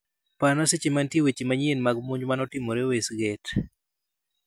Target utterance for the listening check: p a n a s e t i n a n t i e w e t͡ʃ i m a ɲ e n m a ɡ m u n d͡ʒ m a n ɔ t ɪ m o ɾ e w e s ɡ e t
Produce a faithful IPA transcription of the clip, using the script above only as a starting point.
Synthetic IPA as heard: p a n a s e t͡ʃ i m a n t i e w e t͡ʃ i m a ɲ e n m a ɡ m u ɲ d͡ʒ m a n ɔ t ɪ m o ɾ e w e s ɡ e t